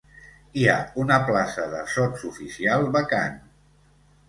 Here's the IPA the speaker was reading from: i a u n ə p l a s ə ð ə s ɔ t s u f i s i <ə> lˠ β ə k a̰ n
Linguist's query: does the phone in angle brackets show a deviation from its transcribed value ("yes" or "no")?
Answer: yes